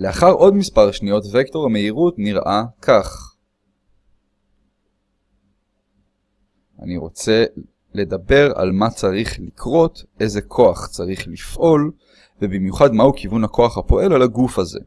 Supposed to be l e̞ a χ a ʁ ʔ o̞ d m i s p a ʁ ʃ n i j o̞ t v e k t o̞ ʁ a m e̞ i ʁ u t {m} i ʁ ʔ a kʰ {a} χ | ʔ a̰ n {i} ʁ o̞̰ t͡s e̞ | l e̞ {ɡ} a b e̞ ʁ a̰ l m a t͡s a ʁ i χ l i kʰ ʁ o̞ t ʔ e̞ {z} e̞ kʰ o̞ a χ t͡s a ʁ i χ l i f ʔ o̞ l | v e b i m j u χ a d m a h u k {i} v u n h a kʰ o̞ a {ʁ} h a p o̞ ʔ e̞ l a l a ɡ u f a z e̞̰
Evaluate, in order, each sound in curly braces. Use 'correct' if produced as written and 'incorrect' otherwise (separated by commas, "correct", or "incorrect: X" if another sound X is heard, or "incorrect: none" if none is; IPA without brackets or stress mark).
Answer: incorrect: n, correct, correct, incorrect: d, correct, correct, incorrect: χ